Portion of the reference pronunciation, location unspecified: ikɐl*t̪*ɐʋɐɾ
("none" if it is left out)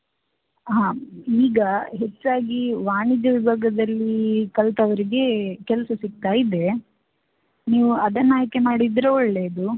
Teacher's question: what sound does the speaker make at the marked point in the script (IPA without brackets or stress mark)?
t̪